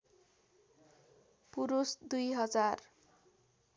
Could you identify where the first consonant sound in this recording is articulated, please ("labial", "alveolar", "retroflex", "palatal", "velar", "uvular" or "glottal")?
labial